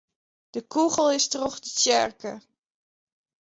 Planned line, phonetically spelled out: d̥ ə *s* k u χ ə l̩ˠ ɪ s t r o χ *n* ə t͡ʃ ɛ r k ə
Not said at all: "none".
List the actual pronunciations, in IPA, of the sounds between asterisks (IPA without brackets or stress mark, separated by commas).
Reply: none, d